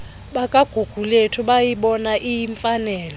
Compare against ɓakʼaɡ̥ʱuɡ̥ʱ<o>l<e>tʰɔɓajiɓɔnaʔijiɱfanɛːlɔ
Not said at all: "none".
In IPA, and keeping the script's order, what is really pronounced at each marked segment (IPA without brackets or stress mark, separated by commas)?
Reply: u, e